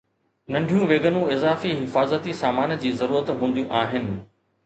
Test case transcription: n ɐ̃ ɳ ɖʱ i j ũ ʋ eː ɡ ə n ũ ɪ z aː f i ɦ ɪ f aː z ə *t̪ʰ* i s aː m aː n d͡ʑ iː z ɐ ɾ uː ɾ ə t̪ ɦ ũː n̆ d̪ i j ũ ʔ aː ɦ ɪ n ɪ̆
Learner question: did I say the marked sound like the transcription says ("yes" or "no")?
no